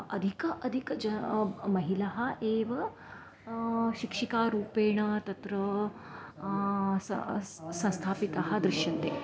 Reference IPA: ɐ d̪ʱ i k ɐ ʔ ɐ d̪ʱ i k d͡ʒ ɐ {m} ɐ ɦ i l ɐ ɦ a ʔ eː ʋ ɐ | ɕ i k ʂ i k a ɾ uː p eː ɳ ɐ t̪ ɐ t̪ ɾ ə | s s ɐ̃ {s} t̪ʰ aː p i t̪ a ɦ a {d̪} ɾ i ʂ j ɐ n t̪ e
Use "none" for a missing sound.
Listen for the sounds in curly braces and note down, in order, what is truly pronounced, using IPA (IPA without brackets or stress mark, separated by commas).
m, s, d̪